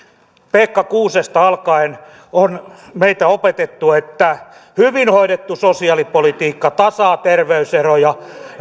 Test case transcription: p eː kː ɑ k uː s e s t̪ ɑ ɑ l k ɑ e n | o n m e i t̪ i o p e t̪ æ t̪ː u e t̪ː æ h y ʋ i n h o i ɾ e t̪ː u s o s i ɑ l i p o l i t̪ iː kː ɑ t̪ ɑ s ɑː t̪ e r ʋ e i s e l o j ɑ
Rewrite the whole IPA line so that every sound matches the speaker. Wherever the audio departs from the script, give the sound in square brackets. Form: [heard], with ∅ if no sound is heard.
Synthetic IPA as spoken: p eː kː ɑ k uː s e s t̪ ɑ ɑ l k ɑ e n | o n m e i t̪ [æ] o p e t̪ [e] t̪ː u e t̪ː æ h y ʋ i n h o i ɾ e t̪ː u s o s i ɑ l i p o l i t̪ iː kː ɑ t̪ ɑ s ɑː t̪ e r ʋ e [y] s e [r] o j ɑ